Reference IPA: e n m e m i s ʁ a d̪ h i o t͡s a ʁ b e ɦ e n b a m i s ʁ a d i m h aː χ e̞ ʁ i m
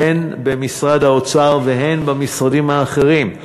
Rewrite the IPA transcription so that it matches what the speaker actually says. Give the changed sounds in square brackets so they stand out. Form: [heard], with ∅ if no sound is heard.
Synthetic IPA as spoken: e n [b] e m i s ʁ a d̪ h [a] o t͡s a ʁ [v] e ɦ e n b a m i s ʁ a d i m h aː χ e̞ ʁ i m